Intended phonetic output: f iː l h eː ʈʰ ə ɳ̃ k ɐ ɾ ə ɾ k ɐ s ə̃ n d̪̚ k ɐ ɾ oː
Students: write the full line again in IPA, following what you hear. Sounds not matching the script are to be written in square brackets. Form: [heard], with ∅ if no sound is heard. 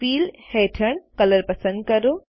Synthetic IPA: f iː l h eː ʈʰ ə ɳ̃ k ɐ [l] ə ɾ [p] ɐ s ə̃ n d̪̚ k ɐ ɾ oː